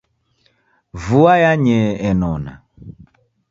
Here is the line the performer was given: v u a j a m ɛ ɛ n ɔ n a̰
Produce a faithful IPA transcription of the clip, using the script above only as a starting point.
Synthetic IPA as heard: v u a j a ɲ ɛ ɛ n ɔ n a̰